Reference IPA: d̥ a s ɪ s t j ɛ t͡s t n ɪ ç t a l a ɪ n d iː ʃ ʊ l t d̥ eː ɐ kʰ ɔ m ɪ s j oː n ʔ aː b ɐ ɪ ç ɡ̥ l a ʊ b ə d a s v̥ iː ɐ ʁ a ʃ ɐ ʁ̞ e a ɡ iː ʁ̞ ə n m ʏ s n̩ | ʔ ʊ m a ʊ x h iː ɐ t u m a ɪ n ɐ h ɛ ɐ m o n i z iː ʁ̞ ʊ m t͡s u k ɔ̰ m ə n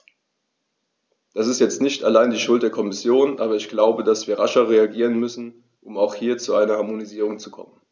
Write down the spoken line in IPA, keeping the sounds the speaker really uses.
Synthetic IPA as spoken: d̥ a s ɪ s t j ɛ t͡s t n ɪ ç t a l a ɪ n d iː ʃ ʊ l t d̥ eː ɐ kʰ ɔ m ɪ s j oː n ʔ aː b ɐ ɪ ç ɡ̥ l a ʊ b ə d a s v̥ iː ɐ ʁ a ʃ ɐ ʁ̞ e a ɡ iː ʁ̞ ə n m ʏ s n̩ | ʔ ʊ m a ʊ x h iː ɐ t͡s u a ɪ n ɐ h a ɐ m o n i z iː ʁ̞ ʊ ŋ t͡s u kʰ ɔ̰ m ə n

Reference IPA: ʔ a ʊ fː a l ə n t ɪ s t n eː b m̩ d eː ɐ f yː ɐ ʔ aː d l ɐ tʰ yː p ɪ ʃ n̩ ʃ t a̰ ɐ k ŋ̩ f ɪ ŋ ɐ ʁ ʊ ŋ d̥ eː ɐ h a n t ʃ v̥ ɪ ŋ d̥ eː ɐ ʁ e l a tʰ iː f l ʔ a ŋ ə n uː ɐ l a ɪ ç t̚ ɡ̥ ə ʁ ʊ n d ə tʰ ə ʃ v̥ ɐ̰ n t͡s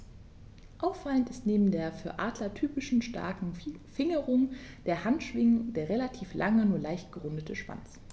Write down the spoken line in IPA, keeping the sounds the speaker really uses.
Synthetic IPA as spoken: ʔ a ʊ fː a l ə n t ɪ s t n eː b m̩ d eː ɐ f yː ɐ ʔ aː d l ɐ tʰ yː p ɪ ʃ n̩ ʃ t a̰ ɐ k ŋ̩ f ɪ ŋ ə ʁ ʊ ŋ d̥ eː ɐ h a n t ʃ v̥ ɪ ŋ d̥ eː ɐ ʁ e l a tʰ iː f l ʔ a ŋ ə n uː ɐ l a ɪ ç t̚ ɡ̥ ə ʁ ʊ n d ə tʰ ə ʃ v̥ a̰ n t͡s

